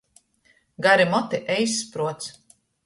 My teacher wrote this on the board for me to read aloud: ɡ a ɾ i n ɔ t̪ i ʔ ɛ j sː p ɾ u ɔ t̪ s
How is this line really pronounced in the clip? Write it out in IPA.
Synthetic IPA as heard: ɡ a ɾ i m ɔ t̪ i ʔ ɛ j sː p ɾ u ɔ t̪ s